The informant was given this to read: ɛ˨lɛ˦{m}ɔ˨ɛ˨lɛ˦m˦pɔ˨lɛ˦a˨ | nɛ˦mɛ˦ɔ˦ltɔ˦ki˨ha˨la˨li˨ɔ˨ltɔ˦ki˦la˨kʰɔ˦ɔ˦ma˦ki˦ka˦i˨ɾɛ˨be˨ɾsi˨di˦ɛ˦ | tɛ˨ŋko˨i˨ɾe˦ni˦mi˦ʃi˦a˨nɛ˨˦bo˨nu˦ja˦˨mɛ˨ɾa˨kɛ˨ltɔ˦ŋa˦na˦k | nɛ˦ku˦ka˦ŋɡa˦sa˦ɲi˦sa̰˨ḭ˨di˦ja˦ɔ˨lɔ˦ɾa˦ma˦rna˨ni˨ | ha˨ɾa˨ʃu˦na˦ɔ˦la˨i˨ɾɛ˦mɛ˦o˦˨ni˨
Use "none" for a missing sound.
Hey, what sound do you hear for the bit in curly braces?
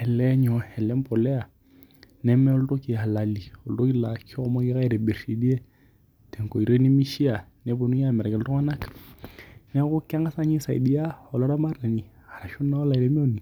ɲ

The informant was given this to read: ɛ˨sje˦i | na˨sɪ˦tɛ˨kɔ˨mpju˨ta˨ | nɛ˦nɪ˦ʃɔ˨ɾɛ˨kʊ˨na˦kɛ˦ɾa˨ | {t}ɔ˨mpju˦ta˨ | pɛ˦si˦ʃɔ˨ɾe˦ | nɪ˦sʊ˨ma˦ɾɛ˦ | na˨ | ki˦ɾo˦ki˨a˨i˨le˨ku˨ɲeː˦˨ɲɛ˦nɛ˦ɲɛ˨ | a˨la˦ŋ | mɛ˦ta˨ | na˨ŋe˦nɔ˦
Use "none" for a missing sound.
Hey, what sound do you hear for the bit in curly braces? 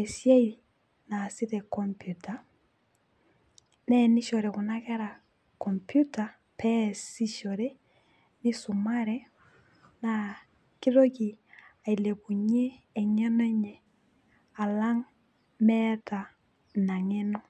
k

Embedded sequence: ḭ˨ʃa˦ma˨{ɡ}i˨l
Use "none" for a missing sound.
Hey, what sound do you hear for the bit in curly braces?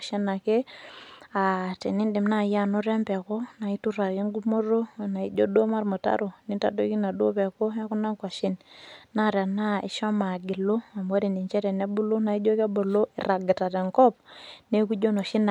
ɡ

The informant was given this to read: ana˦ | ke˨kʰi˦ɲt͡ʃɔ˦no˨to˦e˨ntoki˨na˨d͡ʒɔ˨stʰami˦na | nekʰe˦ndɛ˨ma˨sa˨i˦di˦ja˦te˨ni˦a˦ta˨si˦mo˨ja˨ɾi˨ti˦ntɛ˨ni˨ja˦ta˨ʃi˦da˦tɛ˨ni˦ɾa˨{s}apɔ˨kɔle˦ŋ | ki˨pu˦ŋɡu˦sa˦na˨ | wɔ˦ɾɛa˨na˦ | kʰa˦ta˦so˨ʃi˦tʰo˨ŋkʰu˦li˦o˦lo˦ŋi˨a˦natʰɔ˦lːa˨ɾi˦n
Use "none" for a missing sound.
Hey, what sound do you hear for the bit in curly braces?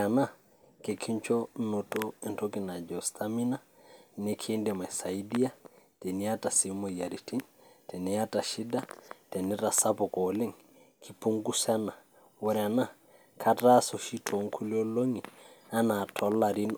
s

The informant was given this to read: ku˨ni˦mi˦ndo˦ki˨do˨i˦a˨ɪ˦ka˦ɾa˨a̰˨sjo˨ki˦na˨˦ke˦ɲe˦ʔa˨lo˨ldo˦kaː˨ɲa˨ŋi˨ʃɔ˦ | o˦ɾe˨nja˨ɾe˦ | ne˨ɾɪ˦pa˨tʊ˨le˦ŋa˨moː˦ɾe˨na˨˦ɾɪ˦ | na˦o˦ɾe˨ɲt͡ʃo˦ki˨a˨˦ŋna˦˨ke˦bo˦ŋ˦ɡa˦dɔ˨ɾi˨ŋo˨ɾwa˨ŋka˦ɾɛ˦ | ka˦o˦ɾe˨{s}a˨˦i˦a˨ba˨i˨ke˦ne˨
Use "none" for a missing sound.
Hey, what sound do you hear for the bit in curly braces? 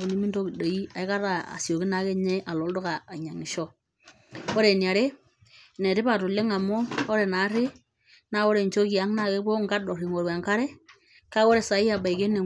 s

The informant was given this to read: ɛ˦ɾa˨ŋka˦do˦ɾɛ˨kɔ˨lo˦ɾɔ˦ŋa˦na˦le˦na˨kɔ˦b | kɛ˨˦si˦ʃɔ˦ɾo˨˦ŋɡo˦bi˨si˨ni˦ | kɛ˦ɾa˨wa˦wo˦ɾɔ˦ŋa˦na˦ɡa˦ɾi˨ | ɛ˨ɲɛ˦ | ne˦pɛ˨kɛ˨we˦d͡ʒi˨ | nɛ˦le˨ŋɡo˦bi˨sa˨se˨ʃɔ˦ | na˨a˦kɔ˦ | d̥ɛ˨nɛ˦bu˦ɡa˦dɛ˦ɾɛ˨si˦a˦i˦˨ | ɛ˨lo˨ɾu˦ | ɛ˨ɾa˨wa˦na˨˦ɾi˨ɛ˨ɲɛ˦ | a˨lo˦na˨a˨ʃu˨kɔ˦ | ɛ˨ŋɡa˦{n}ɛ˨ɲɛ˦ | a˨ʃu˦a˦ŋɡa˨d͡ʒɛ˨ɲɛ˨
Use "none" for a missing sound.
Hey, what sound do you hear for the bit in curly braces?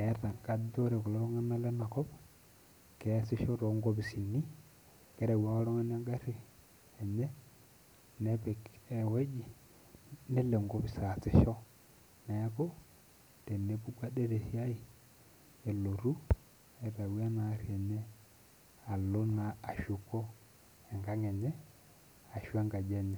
ŋ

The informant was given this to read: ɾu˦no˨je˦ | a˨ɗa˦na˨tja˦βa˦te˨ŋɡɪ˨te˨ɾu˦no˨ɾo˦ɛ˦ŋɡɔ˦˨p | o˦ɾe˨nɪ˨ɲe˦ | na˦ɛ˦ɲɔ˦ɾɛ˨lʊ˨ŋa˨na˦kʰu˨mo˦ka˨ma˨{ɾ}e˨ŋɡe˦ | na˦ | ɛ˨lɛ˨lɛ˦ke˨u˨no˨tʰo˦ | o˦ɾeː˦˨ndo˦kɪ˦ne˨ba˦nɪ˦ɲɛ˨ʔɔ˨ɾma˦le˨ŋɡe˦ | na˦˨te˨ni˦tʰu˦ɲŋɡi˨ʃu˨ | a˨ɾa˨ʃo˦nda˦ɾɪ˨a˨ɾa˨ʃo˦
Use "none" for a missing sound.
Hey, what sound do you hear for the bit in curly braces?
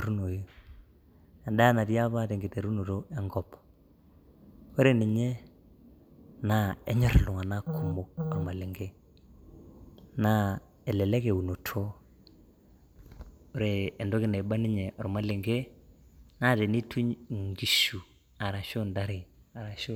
l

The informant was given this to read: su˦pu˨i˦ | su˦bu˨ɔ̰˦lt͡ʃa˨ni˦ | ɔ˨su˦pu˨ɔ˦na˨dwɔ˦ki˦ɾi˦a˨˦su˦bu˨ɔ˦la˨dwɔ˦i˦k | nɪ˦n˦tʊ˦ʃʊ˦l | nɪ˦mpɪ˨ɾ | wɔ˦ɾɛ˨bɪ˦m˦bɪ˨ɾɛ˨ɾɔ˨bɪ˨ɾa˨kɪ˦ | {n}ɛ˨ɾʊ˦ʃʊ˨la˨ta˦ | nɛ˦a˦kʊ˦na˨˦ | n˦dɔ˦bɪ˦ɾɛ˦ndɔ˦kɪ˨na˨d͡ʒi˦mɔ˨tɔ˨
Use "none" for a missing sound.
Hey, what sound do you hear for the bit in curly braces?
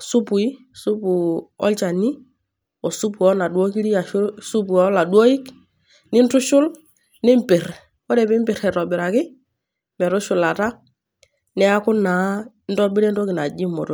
m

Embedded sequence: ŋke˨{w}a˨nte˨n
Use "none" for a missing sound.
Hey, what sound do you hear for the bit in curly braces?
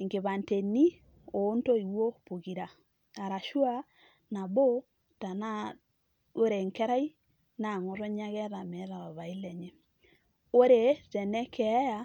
β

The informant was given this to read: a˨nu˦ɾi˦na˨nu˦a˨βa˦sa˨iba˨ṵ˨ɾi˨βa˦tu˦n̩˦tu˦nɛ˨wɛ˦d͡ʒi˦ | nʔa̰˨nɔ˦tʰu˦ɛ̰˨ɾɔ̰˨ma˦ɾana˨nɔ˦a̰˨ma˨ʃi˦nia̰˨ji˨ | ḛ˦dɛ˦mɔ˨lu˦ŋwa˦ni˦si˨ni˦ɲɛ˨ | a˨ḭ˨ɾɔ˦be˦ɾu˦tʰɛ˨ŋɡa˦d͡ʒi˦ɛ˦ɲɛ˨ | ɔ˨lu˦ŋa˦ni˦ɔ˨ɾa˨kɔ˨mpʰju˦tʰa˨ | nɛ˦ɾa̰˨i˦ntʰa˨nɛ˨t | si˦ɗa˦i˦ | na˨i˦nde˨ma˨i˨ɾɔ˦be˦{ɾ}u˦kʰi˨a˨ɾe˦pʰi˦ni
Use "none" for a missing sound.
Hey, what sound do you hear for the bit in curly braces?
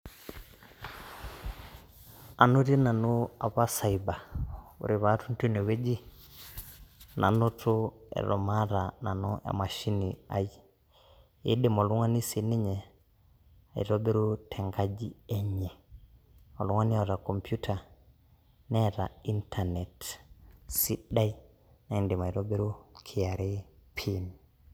ɾ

